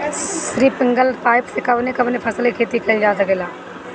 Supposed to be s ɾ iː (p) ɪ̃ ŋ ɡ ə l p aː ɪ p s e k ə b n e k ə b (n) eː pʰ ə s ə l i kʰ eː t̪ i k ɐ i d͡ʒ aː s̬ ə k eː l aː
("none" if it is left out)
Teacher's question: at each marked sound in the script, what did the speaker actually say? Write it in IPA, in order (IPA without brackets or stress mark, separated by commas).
p, n